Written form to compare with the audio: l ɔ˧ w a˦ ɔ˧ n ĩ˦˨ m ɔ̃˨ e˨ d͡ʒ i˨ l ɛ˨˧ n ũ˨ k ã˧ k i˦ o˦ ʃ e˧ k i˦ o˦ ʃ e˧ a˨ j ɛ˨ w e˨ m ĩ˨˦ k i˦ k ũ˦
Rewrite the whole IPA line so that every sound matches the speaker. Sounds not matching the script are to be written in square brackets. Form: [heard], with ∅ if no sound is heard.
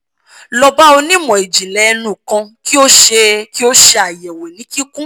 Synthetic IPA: l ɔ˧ [b] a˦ [o˧] n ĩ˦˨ m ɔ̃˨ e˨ d͡ʒ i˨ l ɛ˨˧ n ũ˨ k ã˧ k i˦ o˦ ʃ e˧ k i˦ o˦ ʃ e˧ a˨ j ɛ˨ w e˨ [n] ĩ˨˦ k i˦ k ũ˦